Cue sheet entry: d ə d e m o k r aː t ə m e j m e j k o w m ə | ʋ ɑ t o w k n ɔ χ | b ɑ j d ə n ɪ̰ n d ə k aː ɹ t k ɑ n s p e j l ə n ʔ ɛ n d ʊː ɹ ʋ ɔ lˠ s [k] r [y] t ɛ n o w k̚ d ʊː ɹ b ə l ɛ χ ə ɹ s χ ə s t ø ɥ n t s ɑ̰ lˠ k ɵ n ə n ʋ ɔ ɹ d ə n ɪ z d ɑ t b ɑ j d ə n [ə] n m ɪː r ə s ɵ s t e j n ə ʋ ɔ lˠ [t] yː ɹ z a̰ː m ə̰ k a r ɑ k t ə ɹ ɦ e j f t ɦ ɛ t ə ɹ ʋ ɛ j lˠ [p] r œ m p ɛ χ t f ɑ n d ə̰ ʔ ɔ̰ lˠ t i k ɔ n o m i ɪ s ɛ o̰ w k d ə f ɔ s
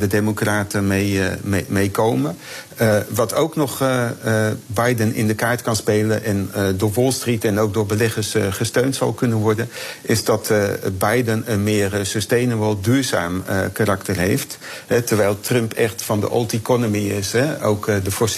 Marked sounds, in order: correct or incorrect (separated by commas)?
incorrect, incorrect, correct, incorrect, incorrect